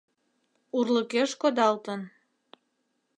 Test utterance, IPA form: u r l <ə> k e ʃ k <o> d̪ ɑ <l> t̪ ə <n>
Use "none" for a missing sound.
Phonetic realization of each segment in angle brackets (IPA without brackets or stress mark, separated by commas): ə, o, l, n